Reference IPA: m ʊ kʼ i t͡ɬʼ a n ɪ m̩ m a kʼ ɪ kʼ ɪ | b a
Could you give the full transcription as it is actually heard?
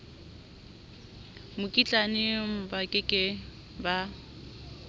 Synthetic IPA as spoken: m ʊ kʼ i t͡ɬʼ a n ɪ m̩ b a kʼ ɪ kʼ ɪ | b a